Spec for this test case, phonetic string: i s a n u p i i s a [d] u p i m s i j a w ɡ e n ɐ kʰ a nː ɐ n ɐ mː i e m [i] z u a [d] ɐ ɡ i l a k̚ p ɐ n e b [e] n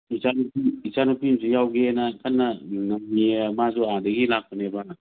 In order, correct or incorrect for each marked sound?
incorrect: n, incorrect: a, correct, incorrect: a

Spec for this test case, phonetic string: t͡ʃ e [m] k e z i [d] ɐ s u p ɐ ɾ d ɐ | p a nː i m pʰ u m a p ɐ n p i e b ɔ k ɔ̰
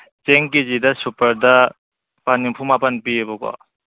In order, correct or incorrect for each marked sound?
incorrect: ŋ, correct

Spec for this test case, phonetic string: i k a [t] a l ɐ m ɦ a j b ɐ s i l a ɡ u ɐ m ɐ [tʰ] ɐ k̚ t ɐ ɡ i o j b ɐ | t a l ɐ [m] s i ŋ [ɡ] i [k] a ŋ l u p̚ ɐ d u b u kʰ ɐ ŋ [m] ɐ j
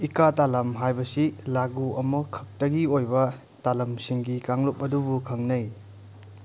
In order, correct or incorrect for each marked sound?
correct, incorrect: kʰ, correct, correct, correct, incorrect: n

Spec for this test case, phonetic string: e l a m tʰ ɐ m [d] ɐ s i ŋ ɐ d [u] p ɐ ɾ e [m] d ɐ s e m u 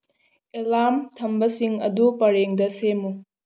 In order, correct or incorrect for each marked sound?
incorrect: b, correct, incorrect: ŋ

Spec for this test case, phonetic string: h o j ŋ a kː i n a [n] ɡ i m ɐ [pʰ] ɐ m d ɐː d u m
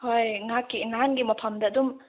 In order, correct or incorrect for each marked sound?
correct, correct

